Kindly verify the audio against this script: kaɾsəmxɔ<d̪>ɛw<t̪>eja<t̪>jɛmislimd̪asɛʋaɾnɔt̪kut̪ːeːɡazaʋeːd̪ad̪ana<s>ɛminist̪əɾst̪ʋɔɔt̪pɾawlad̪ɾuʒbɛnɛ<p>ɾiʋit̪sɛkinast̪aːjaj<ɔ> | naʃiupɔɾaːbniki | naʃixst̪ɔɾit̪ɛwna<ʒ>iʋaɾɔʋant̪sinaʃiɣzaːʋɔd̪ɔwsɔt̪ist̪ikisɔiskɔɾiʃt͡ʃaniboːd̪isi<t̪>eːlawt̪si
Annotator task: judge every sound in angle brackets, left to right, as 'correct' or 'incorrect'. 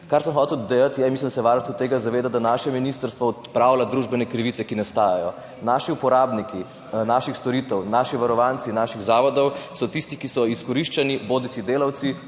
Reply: incorrect, incorrect, correct, incorrect, incorrect, correct, incorrect, incorrect

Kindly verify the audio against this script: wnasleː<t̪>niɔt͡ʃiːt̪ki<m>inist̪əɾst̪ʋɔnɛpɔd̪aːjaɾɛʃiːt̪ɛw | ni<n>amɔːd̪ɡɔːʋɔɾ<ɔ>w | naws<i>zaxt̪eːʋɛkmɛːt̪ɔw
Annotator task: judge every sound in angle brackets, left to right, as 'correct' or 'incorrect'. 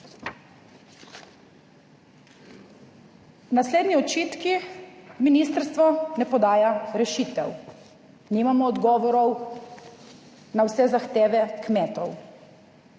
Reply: incorrect, correct, incorrect, correct, incorrect

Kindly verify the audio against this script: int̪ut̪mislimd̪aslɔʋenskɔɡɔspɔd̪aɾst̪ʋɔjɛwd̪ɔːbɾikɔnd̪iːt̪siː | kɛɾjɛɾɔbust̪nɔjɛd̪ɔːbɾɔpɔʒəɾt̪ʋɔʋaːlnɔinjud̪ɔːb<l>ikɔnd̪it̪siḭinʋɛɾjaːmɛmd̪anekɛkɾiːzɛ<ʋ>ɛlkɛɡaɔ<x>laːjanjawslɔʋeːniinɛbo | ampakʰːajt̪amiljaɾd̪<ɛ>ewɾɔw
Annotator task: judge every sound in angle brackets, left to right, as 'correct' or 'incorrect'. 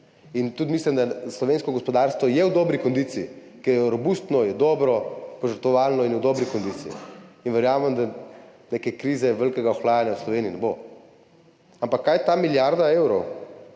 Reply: incorrect, correct, correct, incorrect

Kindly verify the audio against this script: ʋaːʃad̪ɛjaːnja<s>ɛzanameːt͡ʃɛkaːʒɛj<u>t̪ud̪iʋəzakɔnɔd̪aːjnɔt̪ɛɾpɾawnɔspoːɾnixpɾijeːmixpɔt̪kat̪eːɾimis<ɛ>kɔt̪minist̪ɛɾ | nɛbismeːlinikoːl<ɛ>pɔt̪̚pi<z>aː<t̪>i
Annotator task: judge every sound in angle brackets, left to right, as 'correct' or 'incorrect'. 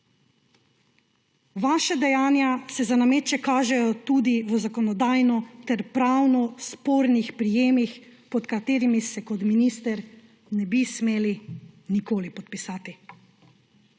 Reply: correct, incorrect, correct, incorrect, incorrect, correct

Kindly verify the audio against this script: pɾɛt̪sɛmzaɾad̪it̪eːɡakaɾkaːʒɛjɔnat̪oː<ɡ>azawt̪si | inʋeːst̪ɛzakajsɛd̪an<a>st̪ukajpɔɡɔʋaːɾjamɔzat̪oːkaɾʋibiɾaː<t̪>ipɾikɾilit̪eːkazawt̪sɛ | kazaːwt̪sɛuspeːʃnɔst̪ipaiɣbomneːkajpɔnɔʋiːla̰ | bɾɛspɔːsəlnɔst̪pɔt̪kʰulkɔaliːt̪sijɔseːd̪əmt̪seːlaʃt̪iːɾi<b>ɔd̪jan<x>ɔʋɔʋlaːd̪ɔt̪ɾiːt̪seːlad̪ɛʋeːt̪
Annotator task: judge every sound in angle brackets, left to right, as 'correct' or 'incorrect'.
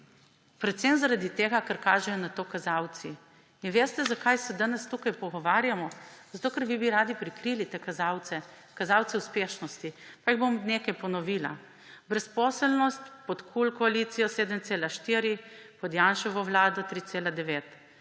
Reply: incorrect, incorrect, incorrect, incorrect, incorrect

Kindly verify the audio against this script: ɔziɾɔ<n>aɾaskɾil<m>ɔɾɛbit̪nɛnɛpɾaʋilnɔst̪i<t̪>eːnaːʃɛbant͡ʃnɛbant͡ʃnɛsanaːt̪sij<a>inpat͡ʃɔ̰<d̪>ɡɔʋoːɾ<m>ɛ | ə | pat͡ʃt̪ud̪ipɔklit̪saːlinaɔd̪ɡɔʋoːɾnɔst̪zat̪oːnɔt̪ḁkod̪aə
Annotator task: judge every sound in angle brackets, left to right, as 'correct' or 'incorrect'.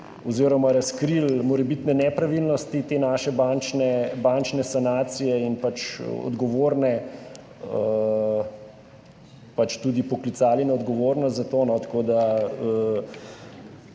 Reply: incorrect, correct, correct, incorrect, correct, incorrect

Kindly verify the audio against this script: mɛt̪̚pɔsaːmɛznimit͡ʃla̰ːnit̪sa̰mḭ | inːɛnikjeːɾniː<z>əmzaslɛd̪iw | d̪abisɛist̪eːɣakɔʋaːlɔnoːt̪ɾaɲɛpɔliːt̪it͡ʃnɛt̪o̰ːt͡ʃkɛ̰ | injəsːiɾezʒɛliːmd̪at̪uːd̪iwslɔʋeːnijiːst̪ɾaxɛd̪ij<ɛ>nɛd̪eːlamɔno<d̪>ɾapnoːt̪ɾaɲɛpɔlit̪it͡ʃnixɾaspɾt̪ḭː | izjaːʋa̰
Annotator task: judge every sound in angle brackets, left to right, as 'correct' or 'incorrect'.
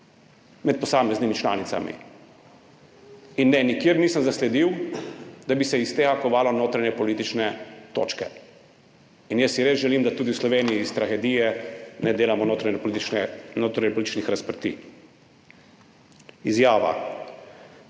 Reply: incorrect, correct, incorrect

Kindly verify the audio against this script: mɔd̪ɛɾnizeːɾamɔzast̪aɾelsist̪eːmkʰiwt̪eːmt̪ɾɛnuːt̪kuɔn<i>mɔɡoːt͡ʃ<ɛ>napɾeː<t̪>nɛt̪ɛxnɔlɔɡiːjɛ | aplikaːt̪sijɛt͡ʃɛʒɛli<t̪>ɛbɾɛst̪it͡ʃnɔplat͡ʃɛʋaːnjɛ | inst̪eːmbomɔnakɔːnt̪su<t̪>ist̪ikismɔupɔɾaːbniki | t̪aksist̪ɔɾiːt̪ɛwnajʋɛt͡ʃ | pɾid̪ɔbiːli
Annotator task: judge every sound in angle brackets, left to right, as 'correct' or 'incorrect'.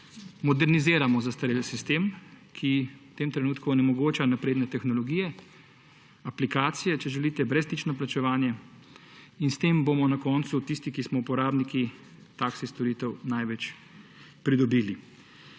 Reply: incorrect, incorrect, incorrect, correct, correct

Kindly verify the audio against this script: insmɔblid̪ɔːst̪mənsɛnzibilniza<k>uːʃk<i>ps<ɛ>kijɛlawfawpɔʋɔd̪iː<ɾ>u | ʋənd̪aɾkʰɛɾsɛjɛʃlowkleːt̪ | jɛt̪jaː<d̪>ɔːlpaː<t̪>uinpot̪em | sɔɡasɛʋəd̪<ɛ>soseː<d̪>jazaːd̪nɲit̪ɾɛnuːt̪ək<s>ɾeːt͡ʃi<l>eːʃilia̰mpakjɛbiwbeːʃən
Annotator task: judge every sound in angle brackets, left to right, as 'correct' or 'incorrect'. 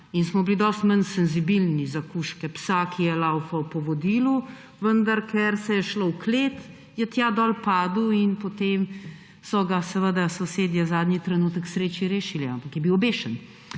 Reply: correct, incorrect, incorrect, incorrect, correct, incorrect, incorrect, correct, correct, incorrect

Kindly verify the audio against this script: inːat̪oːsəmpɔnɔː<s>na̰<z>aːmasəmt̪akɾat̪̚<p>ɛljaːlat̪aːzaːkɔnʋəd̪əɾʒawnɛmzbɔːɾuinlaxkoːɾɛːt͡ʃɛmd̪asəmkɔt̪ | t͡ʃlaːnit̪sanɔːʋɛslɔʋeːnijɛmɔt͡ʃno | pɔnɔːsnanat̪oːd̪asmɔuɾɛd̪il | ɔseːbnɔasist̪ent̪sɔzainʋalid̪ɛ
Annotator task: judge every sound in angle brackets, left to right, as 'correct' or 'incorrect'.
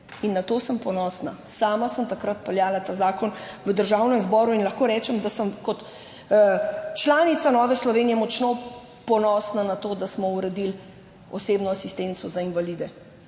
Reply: correct, incorrect, correct

